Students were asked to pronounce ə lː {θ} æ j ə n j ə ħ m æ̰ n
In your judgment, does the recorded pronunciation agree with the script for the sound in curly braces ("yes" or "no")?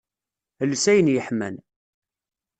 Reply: no